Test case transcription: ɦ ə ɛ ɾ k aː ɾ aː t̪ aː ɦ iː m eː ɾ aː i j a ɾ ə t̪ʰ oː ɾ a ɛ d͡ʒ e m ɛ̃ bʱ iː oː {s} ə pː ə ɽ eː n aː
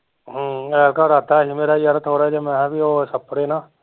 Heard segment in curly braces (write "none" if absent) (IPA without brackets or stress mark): s